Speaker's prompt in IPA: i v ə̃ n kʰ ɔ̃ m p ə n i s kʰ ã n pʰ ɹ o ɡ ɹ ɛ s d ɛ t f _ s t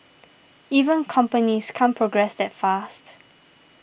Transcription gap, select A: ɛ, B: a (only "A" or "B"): B